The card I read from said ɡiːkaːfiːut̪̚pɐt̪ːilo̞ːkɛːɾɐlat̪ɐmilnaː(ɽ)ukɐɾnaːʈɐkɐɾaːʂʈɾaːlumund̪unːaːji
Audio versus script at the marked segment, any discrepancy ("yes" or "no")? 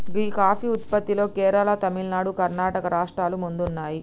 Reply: no